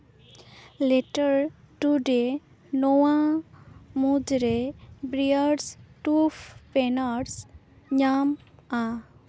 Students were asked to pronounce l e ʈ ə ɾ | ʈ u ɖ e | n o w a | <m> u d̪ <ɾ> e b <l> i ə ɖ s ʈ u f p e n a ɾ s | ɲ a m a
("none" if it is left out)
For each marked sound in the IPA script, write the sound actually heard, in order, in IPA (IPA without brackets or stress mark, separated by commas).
m, ɾ, ɾ